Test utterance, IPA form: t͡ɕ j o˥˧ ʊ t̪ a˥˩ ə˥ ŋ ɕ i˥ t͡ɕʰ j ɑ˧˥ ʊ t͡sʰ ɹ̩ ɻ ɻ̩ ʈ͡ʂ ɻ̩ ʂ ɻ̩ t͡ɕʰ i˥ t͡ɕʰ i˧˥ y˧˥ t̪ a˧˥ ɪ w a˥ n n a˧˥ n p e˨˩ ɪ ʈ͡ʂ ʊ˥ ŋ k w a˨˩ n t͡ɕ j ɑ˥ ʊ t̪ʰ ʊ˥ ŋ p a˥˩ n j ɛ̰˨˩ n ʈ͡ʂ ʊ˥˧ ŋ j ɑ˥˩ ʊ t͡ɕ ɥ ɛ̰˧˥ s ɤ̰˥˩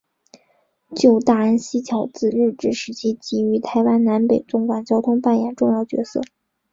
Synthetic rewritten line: t͡ɕ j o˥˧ ʊ t̪ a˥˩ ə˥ n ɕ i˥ t͡ɕʰ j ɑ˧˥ ʊ t͡s ɹ̩ ɻ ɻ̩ ʈ͡ʂ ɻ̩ ʂ ɻ̩ t͡ɕʰ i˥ t͡ɕ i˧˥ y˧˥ t̪ʰ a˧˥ ɪ w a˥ n n a˧˥ n p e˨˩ ɪ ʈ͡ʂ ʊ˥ ŋ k w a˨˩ n t͡ɕ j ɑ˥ ʊ t̪ʰ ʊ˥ ŋ p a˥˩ n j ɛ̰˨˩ n ʈ͡ʂ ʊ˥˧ ŋ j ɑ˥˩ ʊ t͡ɕ ɥ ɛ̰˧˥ s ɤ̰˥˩